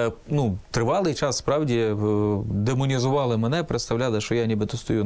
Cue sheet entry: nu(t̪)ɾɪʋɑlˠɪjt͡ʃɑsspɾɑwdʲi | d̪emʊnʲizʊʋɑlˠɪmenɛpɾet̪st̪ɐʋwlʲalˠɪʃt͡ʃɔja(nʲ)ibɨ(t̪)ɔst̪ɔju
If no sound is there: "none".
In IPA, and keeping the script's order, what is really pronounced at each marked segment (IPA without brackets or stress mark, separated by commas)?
t̪, nʲ, t̪